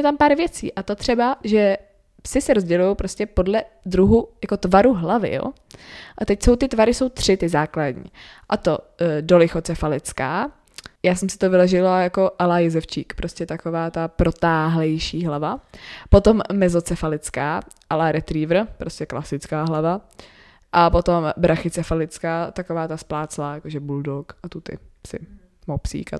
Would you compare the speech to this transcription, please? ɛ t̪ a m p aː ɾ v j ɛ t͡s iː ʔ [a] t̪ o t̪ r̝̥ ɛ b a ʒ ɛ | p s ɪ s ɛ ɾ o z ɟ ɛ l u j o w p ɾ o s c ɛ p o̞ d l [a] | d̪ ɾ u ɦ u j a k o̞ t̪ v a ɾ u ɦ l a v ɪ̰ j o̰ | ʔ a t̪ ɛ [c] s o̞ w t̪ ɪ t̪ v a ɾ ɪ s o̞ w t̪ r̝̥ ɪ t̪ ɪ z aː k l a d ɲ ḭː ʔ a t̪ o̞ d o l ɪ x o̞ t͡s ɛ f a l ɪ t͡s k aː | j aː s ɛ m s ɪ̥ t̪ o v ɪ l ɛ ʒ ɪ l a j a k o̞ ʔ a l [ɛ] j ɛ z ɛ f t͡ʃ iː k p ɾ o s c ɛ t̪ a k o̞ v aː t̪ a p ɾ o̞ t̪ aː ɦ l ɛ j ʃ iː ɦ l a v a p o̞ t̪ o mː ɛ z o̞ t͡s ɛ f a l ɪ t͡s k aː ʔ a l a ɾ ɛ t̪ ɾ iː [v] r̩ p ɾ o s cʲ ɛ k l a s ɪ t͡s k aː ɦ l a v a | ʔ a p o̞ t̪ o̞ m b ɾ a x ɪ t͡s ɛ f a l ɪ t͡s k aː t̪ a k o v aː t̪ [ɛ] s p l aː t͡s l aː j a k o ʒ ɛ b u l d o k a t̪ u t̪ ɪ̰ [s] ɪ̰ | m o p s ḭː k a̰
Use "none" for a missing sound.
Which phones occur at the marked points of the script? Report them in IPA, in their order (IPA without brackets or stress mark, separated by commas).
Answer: a, ɛ, c, a, v, a, s